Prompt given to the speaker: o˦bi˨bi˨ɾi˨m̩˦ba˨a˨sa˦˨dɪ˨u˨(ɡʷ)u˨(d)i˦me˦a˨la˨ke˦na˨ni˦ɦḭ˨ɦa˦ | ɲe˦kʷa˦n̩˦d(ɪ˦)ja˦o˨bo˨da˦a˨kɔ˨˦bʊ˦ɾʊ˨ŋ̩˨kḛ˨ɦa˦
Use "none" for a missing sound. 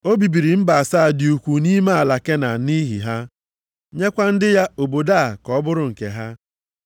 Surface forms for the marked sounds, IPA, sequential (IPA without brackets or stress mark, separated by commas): kʷ, n, ɪ˦